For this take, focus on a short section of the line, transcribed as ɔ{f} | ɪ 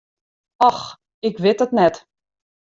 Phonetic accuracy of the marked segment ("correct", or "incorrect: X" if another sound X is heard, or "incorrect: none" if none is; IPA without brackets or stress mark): incorrect: x